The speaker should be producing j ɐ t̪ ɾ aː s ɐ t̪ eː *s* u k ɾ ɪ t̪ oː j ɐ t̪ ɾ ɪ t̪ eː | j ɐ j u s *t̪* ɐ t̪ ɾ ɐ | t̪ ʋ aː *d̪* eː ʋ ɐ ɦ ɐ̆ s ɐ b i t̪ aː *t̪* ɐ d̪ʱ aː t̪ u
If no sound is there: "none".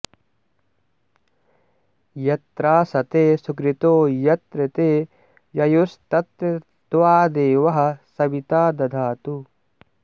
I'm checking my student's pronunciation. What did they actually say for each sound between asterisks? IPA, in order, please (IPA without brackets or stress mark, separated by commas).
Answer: s, t̪, d̪, d̪